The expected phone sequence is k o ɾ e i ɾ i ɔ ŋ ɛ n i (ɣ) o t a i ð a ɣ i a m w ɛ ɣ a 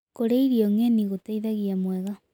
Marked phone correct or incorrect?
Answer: correct